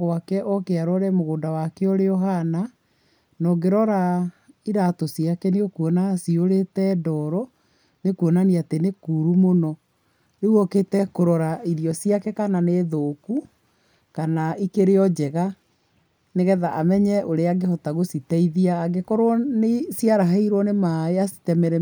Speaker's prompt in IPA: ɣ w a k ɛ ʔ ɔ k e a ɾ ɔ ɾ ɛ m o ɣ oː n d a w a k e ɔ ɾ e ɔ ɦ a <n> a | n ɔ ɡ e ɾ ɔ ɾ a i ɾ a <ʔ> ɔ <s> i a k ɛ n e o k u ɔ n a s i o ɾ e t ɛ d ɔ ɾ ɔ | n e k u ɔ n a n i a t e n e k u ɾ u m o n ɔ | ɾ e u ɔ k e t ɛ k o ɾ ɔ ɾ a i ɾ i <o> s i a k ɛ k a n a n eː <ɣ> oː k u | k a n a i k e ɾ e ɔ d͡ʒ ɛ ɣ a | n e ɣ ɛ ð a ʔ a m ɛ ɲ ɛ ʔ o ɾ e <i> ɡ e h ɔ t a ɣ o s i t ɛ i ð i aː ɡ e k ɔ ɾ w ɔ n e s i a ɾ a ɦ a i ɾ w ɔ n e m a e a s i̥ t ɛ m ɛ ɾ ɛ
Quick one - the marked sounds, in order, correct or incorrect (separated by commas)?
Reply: correct, incorrect, correct, incorrect, incorrect, incorrect